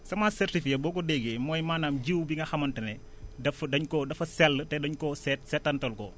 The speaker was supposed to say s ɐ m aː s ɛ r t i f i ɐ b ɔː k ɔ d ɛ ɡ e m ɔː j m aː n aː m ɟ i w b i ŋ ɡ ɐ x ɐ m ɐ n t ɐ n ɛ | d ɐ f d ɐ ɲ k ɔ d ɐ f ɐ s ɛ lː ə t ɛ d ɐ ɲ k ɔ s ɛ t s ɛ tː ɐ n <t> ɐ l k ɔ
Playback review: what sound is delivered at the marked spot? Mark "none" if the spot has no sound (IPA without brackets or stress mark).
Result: t